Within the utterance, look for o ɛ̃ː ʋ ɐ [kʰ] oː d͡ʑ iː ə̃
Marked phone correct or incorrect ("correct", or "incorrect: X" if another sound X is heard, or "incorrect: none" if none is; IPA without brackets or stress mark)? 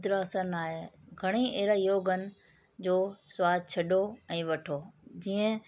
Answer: incorrect: ʈʰ